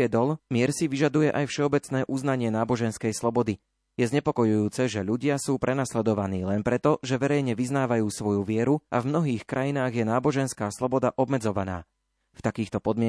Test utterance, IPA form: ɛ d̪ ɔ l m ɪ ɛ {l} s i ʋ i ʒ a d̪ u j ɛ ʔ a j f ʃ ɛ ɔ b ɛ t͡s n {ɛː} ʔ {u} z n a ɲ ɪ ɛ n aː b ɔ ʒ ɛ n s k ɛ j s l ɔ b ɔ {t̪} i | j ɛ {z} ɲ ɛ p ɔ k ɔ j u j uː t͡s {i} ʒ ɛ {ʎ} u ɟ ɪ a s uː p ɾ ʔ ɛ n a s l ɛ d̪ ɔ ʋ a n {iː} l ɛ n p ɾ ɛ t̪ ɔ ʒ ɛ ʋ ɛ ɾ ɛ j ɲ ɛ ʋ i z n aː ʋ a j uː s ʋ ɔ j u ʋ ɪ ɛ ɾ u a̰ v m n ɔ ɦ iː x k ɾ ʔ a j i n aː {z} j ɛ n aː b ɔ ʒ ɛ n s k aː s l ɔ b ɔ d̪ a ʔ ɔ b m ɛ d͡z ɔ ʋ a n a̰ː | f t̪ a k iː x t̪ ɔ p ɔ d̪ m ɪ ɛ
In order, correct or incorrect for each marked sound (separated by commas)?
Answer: incorrect, correct, correct, incorrect, correct, incorrect, correct, correct, incorrect